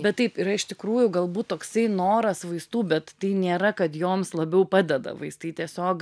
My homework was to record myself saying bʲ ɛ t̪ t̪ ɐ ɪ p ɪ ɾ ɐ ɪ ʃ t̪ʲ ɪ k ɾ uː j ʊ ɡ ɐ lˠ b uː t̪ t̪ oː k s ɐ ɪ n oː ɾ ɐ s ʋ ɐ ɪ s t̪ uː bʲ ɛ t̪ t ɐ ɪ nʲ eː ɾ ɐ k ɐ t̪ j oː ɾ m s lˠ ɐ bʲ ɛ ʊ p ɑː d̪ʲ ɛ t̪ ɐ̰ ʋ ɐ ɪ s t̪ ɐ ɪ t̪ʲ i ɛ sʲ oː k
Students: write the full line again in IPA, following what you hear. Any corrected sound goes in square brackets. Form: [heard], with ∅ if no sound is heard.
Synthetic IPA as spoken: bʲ ɛ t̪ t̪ ɐ ɪ p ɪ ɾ ɐ ɪ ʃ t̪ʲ ɪ k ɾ uː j ʊ ɡ ɐ lˠ b uː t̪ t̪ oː k s ɐ ɪ n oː ɾ ɐ s ʋ ɐ ɪ s t̪ uː bʲ ɛ t̪ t ɐ ɪ nʲ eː ɾ ɐ k ɐ t̪ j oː [∅] m s lˠ ɐ bʲ ɛ ʊ p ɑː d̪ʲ ɛ [d̪] ɐ̰ ʋ ɐ ɪ s t̪ ɐ ɪ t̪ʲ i ɛ sʲ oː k